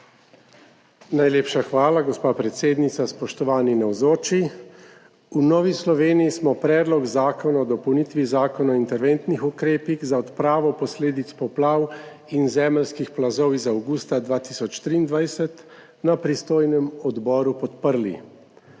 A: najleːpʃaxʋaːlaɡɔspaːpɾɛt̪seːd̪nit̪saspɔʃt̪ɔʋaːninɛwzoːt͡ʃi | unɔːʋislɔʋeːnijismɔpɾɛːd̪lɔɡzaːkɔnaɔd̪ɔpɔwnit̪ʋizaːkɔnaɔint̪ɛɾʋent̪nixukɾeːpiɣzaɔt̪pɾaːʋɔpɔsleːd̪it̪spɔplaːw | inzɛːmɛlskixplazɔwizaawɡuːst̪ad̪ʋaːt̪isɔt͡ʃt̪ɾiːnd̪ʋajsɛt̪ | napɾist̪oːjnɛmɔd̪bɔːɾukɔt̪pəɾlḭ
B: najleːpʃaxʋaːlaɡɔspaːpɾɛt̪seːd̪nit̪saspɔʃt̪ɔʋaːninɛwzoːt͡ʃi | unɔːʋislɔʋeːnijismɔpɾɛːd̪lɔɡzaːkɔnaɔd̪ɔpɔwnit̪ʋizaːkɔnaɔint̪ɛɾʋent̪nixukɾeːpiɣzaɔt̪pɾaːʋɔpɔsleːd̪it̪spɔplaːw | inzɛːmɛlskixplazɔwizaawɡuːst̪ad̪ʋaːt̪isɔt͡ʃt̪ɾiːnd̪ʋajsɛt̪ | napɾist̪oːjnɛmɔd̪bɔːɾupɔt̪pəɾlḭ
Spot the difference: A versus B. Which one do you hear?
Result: B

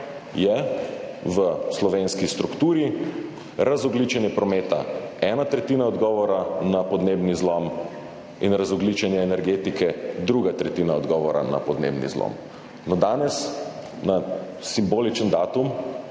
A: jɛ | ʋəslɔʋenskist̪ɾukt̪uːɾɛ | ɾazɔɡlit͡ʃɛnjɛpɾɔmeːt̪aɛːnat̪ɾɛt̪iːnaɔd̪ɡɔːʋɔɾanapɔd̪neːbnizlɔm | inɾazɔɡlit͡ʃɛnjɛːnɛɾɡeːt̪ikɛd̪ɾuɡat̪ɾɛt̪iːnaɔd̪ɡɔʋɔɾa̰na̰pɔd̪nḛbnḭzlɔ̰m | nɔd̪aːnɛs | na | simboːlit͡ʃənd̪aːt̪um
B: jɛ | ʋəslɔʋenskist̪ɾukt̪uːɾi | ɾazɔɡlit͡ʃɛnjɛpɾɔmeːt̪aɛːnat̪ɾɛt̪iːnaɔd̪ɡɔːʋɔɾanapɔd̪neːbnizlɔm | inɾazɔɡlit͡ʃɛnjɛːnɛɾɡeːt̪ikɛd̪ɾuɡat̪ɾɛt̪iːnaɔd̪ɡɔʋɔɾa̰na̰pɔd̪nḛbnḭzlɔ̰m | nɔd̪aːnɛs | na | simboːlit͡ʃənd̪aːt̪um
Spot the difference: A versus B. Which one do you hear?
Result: B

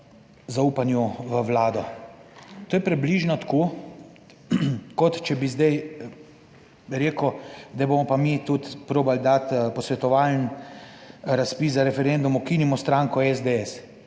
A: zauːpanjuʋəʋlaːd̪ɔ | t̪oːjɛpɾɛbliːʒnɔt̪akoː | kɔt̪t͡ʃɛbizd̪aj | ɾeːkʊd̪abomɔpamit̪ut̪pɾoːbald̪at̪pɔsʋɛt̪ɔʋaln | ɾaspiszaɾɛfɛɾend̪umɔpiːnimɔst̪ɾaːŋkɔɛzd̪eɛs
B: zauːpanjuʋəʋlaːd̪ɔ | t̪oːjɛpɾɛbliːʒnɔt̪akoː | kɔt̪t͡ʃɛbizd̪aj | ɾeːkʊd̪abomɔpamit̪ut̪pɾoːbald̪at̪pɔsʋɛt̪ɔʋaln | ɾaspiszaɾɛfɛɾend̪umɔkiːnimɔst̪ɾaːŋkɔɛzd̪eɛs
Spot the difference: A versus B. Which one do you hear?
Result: B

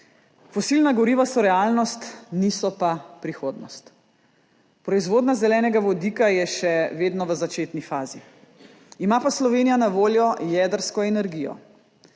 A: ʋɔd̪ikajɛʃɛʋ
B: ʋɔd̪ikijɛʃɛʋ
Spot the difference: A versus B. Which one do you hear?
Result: A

